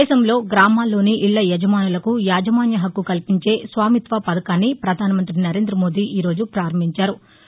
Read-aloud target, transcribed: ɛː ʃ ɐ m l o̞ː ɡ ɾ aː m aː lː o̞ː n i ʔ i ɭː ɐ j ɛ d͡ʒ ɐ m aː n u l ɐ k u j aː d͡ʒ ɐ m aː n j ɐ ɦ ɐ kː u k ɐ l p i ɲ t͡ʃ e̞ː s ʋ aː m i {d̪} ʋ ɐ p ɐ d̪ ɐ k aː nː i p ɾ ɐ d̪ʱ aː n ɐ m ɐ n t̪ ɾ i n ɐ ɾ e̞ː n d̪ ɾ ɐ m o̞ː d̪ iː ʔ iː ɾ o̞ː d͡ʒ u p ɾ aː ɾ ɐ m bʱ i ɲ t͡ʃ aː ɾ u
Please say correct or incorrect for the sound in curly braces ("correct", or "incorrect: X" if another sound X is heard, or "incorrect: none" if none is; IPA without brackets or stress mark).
incorrect: t̪